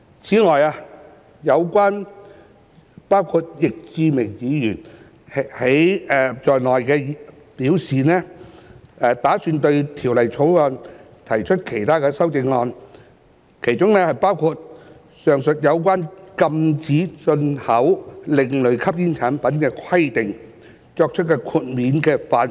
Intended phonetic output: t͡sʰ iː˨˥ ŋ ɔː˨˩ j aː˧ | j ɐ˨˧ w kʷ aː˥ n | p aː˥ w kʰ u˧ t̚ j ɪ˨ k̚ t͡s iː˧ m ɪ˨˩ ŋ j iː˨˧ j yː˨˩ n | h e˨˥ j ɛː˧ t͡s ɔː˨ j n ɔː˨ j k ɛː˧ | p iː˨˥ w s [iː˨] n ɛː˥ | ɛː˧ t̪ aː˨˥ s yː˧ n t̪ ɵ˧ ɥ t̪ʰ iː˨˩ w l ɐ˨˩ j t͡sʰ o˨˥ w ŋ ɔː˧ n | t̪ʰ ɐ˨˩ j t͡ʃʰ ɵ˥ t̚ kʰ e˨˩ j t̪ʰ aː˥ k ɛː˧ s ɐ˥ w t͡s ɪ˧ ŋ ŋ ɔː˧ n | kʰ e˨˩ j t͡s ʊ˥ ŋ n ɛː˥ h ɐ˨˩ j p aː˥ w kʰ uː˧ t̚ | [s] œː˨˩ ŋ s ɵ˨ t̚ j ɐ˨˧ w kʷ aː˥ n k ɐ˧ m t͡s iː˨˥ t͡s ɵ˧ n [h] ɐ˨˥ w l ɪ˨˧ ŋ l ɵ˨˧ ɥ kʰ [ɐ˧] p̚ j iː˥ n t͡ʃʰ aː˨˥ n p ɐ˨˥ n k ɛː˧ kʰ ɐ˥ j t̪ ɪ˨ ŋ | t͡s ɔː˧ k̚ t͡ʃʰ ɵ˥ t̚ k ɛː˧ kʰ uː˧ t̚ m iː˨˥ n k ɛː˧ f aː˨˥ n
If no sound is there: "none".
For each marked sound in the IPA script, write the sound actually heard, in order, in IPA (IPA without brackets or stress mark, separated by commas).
iː˨, s, h, ɐ˥